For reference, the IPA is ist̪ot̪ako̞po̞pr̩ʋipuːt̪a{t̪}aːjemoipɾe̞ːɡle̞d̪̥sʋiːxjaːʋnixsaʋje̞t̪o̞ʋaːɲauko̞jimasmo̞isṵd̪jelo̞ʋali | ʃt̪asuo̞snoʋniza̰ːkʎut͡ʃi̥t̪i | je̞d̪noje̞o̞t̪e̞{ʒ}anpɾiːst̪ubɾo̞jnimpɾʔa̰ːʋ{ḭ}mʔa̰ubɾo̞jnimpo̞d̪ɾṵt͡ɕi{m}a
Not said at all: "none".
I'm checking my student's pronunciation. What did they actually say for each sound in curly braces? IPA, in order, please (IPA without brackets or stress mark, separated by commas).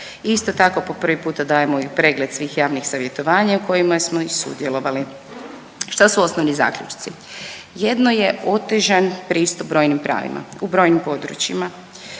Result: d̪, ʒ, ḭ, m